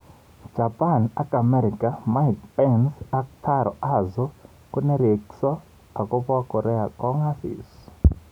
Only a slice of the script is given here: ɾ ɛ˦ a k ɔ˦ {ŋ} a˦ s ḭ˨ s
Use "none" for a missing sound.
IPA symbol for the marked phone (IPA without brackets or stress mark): ŋ